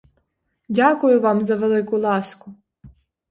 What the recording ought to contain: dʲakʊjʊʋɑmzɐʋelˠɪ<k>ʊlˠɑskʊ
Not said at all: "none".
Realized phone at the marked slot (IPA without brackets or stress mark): k